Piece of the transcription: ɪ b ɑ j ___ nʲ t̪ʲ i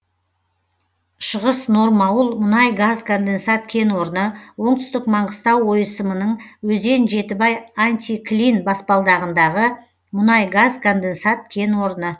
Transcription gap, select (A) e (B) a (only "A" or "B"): B